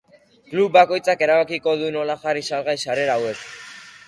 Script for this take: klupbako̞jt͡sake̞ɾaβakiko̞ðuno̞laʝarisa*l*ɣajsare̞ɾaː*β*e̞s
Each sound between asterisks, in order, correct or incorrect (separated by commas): correct, incorrect